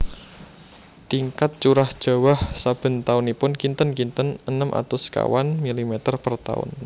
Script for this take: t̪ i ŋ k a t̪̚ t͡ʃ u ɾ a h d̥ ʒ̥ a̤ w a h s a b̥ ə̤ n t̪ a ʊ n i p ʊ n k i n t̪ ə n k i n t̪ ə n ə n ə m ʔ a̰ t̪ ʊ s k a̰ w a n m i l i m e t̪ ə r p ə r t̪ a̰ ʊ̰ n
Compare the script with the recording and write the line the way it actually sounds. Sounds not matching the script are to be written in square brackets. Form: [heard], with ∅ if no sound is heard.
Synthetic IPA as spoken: t̪ i ŋ k a t̪̚ t͡ʃ u ɾ a h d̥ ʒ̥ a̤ w a h s a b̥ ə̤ n t̪ a ʊ n i p ʊ n k i n t̪ ə n k i n t̪ ə n ə n ə m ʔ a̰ t̪ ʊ s k a̰ w a n m i l i m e t̪ ə r p ə r t̪ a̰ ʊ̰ n